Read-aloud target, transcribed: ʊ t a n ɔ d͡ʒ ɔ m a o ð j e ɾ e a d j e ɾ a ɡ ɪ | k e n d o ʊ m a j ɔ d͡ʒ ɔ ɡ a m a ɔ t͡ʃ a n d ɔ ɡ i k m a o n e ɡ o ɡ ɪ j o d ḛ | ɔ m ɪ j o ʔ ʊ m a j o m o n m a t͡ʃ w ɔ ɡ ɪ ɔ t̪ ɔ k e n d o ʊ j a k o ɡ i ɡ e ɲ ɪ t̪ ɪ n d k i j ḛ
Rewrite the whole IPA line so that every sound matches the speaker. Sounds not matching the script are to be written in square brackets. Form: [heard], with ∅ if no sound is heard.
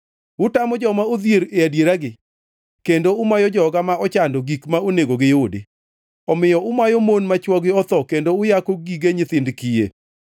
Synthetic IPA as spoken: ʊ t a [m] ɔ d͡ʒ ɔ m a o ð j e ɾ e a d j e ɾ a ɡ ɪ | k e n d o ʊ m a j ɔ d͡ʒ ɔ ɡ a m a ɔ t͡ʃ a n d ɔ ɡ i k m a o n e ɡ o ɡ ɪ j o d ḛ | ɔ m ɪ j [ɔ] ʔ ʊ m a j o m o n m a t͡ʃ w ɔ ɡ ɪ ɔ t̪ ɔ k e n d o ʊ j a k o ɡ i ɡ e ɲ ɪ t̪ ɪ n d k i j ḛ